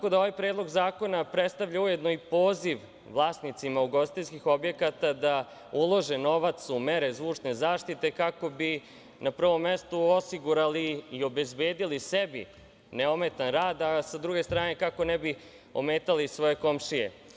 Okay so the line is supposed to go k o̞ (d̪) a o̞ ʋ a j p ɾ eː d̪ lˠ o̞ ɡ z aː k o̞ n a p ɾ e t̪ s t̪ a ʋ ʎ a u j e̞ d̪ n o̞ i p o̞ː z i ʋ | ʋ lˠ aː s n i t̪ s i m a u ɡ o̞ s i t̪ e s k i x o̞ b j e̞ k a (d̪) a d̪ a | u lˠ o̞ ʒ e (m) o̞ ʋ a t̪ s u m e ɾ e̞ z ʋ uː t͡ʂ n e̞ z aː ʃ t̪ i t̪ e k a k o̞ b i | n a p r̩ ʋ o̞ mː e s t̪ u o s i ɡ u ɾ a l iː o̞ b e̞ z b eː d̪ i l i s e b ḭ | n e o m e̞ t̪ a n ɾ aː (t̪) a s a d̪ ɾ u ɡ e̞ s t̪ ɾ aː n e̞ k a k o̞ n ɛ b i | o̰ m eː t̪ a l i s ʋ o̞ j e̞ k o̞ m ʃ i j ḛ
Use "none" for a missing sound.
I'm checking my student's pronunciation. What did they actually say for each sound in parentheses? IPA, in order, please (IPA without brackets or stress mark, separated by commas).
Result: d̪, t̪, n, d̪